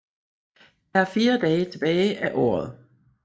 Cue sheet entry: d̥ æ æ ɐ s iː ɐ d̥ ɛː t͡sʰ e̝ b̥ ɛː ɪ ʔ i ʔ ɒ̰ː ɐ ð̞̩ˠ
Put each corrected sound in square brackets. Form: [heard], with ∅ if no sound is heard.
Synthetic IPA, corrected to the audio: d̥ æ æ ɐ [f] iː ɐ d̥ ɛː t͡sʰ e̝ b̥ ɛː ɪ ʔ [æ] ʔ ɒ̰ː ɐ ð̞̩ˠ